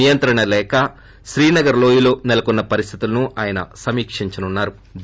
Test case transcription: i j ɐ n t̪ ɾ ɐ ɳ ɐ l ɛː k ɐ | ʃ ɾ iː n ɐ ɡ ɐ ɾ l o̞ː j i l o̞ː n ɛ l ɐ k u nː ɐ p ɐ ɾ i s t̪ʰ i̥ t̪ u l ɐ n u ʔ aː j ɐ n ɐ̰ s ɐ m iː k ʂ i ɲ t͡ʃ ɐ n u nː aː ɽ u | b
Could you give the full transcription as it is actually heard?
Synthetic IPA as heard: i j ɐ n t̪ ɾ ɐ ɳ ɐ l ɛː k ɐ | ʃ ɾ iː n ɐ ɡ ɐ ɾ l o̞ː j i l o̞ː n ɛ l ɐ k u nː ɐ p ɐ ɾ i s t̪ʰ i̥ t̪ u l ɐ n u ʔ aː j ɐ n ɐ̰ s ɐ m iː k ʂ i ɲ t͡ʃ ɐ n u nː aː ɾ u | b